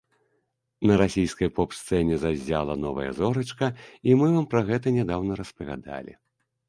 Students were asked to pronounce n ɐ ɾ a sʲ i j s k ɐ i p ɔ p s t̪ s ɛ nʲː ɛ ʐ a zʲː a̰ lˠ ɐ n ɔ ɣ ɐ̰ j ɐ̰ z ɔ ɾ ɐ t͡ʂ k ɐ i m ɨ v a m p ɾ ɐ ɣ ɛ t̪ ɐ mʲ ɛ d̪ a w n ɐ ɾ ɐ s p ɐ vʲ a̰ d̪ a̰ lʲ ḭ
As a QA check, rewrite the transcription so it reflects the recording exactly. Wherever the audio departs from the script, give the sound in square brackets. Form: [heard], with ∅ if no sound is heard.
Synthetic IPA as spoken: n ɐ ɾ a sʲ i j s k ɐ [j] p ɔ p s t̪ s ɛ [nʲ] ɛ [z] a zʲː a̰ lˠ ɐ n ɔ [v] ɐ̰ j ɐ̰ z ɔ ɾ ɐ t͡ʂ k ɐ i m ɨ v a m p ɾ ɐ ɣ ɛ t̪ ɐ [nʲ] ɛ d̪ a w n ɐ ɾ ɐ s p ɐ vʲ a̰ d̪ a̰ lʲ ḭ